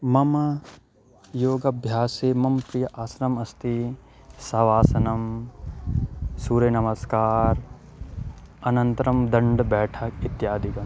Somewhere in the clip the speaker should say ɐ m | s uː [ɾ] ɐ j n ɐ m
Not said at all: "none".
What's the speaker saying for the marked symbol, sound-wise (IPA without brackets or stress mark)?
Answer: ɾ